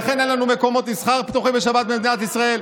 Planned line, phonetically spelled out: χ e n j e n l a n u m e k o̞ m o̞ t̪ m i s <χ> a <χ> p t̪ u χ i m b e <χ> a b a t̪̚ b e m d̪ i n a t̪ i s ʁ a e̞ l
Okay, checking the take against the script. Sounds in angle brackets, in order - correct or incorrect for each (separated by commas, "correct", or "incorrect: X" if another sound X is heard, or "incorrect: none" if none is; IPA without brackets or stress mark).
correct, incorrect: ʁ, incorrect: ʃ